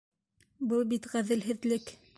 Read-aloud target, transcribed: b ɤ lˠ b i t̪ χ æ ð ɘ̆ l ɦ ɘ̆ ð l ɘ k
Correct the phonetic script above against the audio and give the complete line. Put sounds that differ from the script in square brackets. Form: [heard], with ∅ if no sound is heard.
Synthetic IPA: b ɤ lˠ b i t̪ [ʁ] æ ð ɘ̆ l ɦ ɘ̆ ð l ɘ k